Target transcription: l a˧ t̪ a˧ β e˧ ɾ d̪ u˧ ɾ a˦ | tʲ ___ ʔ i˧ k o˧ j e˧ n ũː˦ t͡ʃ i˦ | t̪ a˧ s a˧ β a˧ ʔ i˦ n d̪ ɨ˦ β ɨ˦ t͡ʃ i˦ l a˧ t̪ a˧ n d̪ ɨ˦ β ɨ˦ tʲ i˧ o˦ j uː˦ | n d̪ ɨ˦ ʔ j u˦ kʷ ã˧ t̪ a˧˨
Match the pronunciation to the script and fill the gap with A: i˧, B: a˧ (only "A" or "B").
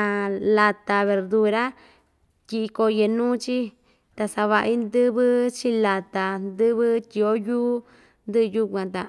A